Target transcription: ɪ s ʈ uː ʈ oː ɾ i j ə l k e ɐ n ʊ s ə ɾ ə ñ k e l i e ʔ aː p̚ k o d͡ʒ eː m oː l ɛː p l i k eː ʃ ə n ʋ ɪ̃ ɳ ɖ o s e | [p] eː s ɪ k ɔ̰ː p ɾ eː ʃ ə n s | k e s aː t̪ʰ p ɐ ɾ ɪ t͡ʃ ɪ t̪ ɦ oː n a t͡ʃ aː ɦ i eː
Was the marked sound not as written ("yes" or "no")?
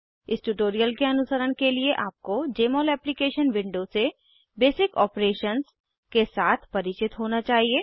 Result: yes